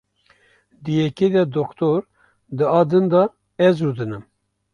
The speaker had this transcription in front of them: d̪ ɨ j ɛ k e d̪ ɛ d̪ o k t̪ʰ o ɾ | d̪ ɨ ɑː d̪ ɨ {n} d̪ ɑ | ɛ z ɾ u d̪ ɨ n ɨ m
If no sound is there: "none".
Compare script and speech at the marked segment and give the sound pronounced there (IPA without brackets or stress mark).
n